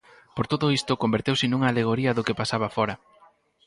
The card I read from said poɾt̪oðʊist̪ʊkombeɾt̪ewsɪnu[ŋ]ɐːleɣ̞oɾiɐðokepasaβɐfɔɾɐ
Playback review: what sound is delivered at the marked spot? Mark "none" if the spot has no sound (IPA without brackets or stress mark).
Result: ŋ